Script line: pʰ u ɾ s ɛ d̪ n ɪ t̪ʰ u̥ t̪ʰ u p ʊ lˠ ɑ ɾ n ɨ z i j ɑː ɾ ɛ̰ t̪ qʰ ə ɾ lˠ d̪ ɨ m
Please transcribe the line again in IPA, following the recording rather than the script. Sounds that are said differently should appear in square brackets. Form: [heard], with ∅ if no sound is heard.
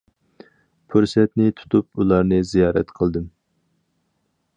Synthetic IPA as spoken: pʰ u ɾ s ɛ [t̪] n ɪ t̪ʰ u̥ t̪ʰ u p [u] lˠ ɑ ɾ n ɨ z i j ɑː ɾ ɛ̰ t̪ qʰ ə [∅] lˠ d̪ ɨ m